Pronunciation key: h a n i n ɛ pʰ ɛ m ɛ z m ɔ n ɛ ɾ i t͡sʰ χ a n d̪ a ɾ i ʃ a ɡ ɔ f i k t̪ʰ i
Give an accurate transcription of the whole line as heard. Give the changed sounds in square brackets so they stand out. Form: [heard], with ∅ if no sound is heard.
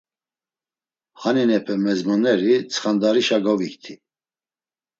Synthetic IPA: h a n i n ɛ pʰ ɛ m ɛ z m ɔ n ɛ ɾ i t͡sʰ χ a n d̪ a ɾ i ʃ a ɡ ɔ [v] i k t̪ʰ i